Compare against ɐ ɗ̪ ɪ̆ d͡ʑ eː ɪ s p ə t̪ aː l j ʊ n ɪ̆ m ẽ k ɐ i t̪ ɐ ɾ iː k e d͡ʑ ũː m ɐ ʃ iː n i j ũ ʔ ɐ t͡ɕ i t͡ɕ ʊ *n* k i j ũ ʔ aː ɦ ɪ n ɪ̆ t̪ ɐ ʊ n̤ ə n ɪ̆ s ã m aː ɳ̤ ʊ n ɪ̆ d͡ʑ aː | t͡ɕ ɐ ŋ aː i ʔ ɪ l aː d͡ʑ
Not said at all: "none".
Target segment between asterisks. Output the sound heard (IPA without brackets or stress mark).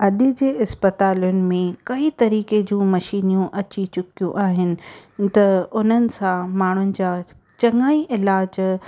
none